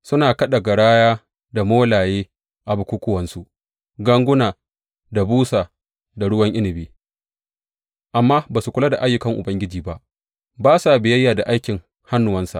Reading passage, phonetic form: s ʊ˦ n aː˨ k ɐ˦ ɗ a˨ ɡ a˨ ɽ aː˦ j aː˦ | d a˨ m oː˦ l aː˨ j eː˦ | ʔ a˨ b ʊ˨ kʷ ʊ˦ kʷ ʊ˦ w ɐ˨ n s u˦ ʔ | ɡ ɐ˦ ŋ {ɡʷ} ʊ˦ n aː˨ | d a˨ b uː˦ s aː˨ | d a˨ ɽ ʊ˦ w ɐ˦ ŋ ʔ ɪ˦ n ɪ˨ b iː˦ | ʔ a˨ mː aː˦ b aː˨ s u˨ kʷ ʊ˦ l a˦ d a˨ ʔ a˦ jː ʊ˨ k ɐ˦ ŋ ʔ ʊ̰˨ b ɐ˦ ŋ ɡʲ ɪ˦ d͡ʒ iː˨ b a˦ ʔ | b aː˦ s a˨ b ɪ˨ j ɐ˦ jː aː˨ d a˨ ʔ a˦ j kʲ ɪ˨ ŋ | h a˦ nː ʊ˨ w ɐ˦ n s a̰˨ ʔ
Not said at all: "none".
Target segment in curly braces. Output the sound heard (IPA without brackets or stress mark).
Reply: ɡʷ